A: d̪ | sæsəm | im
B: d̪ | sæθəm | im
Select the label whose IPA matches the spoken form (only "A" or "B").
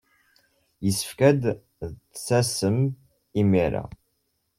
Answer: A